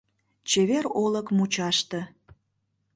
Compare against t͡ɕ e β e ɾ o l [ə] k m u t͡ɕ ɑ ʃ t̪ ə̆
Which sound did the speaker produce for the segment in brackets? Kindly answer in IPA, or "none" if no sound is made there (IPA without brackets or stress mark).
ə